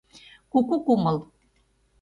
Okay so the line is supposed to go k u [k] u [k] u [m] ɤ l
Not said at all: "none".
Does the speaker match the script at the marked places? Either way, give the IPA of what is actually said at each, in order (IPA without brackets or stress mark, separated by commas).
k, k, m